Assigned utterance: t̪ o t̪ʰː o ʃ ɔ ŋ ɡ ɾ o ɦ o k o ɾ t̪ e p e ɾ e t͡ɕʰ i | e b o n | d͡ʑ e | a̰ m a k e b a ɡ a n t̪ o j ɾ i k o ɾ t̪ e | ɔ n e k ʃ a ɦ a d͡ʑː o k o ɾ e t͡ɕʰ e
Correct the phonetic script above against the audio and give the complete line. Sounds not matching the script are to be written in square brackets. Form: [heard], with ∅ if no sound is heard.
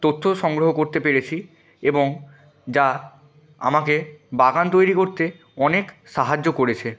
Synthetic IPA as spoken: t̪ o t̪ʰː o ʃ ɔ ŋ ɡ ɾ o ɦ o k o ɾ t̪ e p e ɾ e t͡ɕʰ i | e b o [ŋ] | d͡ʑ [a] | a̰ m a k e b a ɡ a n t̪ o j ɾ i k o ɾ t̪ e | ɔ n e k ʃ a ɦ a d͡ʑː o k o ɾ e t͡ɕʰ e